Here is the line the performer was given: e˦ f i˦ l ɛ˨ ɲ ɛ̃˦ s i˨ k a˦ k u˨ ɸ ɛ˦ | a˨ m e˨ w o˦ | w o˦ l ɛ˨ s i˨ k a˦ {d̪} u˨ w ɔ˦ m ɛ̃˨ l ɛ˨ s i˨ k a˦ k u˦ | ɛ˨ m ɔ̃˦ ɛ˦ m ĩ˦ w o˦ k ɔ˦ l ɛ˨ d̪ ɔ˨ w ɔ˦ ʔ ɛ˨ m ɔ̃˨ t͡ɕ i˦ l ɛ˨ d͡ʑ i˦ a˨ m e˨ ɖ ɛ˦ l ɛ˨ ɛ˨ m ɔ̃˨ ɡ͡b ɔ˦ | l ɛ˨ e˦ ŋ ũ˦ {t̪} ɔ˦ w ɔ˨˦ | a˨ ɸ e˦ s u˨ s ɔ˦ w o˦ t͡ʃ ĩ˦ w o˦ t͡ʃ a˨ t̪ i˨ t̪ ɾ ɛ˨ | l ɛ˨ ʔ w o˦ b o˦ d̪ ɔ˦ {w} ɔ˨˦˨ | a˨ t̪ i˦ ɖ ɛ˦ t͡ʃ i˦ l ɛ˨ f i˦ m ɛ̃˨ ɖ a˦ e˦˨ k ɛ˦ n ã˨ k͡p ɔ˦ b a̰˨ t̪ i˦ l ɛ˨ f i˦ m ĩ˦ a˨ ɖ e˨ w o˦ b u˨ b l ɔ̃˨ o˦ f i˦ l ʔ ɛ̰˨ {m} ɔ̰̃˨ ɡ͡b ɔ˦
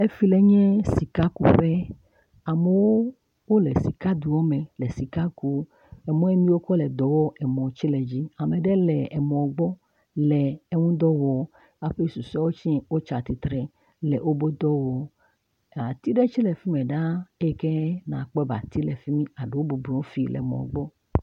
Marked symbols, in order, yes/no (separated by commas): yes, no, yes, yes